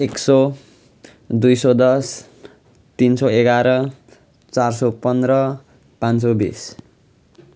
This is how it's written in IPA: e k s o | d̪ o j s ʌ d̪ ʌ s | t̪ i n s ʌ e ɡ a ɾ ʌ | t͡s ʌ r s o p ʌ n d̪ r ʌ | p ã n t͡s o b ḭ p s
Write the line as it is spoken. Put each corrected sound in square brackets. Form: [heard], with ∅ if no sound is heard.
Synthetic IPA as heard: e k s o | d̪ [u] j s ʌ d̪ ʌ s | t̪ i n s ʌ e ɡ a ɾ ʌ | t͡s [a] r s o p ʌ n d̪ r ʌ | p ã n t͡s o b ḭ [∅] s